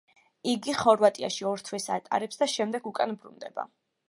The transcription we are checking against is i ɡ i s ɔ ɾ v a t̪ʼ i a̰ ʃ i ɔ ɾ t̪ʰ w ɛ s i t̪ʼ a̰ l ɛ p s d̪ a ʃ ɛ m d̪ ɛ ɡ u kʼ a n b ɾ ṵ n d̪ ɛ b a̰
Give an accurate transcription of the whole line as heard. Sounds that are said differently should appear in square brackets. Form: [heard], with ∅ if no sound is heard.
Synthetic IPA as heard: i ɡ i [χ] ɔ ɾ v a t̪ʼ i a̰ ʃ i ɔ ɾ t̪ʰ w ɛ s [a] t̪ʼ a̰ [ɾ] ɛ p s d̪ a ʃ ɛ m d̪ ɛ ɡ u kʼ a n b ɾ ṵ n d̪ ɛ b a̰